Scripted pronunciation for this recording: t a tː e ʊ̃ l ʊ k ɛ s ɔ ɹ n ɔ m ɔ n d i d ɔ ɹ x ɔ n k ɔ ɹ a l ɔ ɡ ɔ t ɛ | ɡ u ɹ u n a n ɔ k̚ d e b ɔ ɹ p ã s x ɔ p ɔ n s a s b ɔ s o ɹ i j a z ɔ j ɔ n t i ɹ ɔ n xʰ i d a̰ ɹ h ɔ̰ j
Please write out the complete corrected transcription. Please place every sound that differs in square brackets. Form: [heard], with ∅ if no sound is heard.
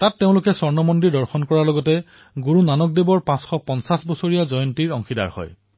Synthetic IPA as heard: t a tː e ʊ̃ l ʊ k ɛ s ɔ ɹ n ɔ m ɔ n d i d ɔ ɹ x ɔ n k ɔ ɹ a l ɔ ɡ ɔ t ɛ | ɡ u ɹ u n a n ɔ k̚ d e b ɔ ɹ p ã s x ɔ p ɔ n s a s b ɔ s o ɹ i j a z ɔ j ɔ n t i ɹ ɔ [ŋ] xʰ i d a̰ ɹ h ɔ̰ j